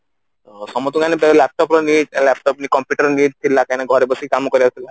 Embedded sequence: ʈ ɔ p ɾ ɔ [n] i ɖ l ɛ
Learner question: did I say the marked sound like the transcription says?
yes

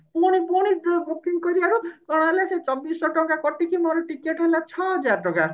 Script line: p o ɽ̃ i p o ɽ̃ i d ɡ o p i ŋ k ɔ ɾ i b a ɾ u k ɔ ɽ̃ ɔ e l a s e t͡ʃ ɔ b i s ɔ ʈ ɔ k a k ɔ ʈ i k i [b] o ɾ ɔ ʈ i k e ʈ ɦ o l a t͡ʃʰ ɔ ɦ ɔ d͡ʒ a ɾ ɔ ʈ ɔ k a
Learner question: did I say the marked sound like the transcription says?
no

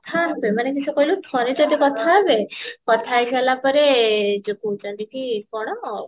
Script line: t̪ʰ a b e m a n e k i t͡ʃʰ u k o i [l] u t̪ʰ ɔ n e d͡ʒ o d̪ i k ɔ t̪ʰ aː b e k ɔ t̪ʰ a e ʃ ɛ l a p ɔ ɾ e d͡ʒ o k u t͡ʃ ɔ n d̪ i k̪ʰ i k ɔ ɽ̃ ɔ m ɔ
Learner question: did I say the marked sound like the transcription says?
yes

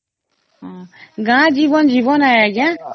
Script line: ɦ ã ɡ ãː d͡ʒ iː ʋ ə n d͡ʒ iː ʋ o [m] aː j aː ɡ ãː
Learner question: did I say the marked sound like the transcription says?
no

